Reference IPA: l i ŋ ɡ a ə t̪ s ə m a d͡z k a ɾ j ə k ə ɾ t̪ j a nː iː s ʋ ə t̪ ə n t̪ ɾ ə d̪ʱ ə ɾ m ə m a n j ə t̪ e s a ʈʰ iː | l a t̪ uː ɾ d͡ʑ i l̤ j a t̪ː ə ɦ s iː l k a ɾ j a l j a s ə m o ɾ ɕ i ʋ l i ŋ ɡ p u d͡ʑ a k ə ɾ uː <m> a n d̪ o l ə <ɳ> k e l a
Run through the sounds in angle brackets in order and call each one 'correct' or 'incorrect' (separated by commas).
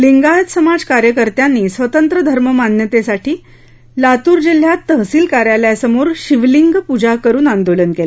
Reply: incorrect, incorrect